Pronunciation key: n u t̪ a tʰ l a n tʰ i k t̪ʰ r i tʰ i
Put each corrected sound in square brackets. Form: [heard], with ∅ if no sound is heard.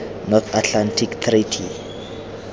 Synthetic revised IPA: n [ɔ] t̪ a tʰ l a n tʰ i k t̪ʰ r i tʰ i